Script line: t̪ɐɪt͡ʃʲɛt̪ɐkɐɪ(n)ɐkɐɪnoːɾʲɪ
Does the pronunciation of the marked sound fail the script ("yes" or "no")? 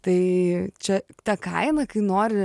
no